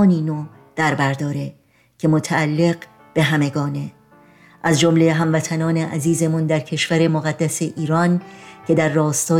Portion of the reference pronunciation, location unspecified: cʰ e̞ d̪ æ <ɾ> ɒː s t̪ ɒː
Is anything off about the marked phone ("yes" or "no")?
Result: yes